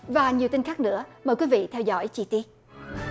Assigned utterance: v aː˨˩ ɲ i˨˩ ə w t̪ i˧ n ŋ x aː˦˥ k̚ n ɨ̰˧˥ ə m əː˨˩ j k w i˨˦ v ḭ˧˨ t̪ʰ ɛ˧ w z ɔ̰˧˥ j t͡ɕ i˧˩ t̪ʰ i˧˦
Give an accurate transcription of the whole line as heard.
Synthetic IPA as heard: v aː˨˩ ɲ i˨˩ ə w t̪ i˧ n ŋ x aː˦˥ k̚ n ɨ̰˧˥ ə m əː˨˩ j k w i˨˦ v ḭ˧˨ t̪ʰ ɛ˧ w z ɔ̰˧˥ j t͡ɕ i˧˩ t̪ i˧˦